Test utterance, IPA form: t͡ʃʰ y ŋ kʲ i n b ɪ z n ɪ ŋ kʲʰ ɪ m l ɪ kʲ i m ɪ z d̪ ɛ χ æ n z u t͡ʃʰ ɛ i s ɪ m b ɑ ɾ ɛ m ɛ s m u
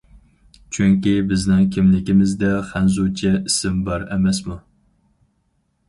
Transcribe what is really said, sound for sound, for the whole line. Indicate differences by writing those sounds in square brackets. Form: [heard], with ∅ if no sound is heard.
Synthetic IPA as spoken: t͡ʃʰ y ŋ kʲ i [∅] b ɪ z n ɪ ŋ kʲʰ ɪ m l ɪ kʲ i m ɪ z d̪ ɛ χ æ n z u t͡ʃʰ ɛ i s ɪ m b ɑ ɾ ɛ m ɛ s m u